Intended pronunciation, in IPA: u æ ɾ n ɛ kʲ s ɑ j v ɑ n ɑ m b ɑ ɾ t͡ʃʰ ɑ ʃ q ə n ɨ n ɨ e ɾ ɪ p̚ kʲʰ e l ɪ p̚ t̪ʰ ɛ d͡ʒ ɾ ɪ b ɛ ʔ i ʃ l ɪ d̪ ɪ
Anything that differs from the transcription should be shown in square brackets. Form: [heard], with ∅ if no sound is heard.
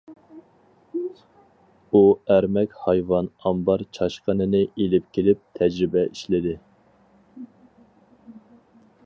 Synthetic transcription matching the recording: u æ ɾ [m] ɛ kʲ [h] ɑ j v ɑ n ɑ m b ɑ ɾ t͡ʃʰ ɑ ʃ q ə n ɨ n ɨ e [l] ɪ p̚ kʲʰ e l ɪ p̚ t̪ʰ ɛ d͡ʒ ɾ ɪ b ɛ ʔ i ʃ l ɪ d̪ ɪ